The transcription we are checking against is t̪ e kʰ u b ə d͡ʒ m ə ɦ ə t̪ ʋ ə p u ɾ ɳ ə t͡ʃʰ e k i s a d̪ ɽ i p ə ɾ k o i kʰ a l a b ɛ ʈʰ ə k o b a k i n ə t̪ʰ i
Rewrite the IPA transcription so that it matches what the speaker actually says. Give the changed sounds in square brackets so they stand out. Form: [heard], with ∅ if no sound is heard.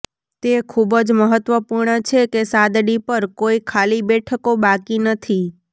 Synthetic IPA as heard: t̪ e kʰ u b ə d͡ʒ m ə ɦ ə t̪ ʋ ə p u ɾ ɳ ə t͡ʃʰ e k [e] s a d̪ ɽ i p ə ɾ k o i kʰ a l [i] b ɛ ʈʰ ə k o b a k i n ə t̪ʰ i